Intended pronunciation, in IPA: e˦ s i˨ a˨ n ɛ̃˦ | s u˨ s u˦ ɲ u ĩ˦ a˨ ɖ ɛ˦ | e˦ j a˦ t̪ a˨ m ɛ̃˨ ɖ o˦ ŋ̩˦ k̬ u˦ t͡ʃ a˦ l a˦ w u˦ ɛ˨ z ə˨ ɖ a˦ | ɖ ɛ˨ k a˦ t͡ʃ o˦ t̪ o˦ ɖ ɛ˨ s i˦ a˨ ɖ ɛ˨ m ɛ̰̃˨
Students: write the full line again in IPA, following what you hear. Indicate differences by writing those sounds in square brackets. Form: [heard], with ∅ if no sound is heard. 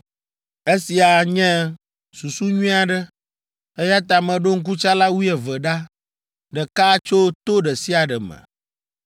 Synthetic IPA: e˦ s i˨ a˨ [ɲ] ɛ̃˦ | s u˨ s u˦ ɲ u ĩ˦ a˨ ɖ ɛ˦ | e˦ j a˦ t̪ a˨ m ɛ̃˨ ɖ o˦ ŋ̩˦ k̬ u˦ t͡ʃ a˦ l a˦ w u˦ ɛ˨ [v] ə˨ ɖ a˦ | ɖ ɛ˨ k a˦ t͡ʃ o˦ t̪ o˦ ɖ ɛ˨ s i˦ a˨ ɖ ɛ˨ m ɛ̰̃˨

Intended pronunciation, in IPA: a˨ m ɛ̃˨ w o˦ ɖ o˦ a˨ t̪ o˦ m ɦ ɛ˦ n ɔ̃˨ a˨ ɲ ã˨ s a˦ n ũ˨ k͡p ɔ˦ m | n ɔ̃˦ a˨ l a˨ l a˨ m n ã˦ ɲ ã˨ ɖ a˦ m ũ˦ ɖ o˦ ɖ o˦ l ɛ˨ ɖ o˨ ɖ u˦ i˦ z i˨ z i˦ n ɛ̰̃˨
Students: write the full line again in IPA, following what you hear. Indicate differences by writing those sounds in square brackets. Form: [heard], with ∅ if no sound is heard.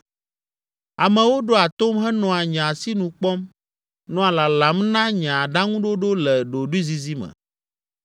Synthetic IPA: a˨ m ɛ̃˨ w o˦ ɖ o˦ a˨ t̪ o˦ m ɦ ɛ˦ n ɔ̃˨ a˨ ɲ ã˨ s [i˦] n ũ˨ k͡p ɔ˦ m | n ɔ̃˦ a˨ l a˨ l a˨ m n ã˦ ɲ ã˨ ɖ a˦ [ŋ] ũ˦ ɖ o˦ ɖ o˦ l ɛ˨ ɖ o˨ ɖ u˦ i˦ z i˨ z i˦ [m] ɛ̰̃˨

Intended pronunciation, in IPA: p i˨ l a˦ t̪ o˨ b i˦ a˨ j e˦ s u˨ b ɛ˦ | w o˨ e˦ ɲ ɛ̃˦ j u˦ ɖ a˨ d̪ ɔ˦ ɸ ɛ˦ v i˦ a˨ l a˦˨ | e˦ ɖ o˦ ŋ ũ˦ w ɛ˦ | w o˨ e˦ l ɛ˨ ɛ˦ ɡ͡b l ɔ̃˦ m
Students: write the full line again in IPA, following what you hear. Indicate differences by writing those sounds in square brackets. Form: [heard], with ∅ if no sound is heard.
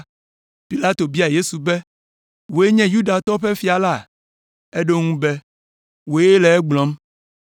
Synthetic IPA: p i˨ l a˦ t̪ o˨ b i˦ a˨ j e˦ s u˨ b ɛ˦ | w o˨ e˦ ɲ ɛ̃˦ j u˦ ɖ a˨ [t̪] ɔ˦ ɸ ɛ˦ [f] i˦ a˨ l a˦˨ | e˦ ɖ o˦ ŋ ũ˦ [b] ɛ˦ | w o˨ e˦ l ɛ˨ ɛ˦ ɡ͡b l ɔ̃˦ m

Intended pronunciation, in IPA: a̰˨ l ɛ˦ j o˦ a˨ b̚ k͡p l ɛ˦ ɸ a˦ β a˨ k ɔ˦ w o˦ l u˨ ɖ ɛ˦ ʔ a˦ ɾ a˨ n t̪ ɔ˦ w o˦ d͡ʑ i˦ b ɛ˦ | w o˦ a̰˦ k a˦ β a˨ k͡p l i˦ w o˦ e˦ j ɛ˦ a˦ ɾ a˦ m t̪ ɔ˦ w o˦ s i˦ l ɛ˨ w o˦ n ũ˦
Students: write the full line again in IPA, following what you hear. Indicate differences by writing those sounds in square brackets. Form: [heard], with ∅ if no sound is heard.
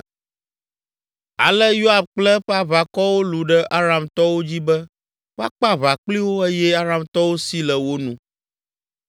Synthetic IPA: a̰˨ l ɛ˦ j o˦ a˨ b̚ k͡p l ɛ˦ ɸ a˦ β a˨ k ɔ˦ w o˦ l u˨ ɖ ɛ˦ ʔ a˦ ɾ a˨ [m] t̪ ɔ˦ w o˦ d͡ʑ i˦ b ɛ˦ | w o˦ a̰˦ [k͡p] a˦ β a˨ k͡p l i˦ w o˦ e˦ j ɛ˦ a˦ ɾ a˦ m t̪ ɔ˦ w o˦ s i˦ l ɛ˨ w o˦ n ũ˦

